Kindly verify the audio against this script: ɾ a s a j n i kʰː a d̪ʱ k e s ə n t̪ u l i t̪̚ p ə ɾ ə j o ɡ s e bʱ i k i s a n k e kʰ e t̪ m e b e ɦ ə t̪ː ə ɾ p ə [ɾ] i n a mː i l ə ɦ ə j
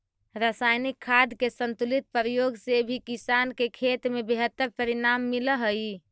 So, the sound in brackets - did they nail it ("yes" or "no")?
yes